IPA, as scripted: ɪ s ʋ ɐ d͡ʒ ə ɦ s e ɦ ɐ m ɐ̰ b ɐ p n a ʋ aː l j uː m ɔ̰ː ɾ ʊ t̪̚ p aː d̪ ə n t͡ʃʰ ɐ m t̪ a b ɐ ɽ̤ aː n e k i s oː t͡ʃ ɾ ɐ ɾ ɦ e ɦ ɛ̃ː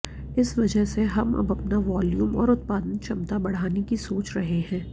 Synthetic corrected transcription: ɪ s ʋ ɐ d͡ʒ ə ɦ s e ɦ ɐ m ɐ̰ b ɐ p n a ʋ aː l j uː m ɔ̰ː ɾ ʊ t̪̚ p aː d̪ ə n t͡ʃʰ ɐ m t̪ a b ɐ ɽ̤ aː n e k i s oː t͡ʃ ɾ ɐ ɦ e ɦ ɛ̃ː